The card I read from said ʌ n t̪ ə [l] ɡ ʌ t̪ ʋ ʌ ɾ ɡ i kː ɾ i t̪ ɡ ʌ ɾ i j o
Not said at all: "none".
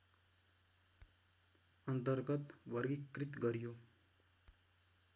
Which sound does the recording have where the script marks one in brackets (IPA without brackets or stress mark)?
ɾ